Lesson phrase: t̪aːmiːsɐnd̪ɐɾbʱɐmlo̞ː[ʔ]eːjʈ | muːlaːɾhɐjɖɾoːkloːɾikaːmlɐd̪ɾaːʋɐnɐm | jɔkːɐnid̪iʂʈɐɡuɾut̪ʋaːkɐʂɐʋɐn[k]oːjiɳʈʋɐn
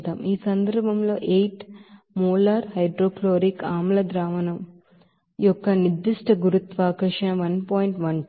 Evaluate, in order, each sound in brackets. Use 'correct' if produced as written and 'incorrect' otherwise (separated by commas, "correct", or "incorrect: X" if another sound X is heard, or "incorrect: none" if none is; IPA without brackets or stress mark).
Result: correct, incorrect: p